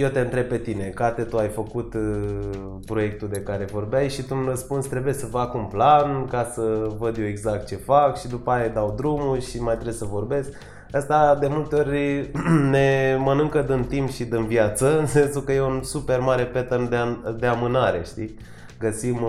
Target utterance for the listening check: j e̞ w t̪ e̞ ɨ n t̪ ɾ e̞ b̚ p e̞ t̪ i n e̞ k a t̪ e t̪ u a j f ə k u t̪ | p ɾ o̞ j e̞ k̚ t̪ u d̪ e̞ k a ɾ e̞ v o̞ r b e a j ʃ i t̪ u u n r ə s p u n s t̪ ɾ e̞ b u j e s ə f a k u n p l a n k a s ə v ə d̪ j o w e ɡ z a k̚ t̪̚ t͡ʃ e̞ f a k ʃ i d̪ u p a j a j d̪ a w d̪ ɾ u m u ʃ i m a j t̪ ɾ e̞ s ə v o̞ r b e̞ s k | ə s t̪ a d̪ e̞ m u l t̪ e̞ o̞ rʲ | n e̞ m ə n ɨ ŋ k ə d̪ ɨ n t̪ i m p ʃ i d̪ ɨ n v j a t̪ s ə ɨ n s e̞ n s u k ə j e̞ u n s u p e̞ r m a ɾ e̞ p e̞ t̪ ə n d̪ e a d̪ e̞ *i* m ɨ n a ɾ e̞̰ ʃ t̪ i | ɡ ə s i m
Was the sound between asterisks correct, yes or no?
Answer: no